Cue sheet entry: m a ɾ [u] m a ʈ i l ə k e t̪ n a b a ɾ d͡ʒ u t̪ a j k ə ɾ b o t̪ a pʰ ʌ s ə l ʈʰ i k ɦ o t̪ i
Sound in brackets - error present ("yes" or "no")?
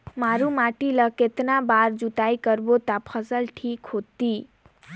no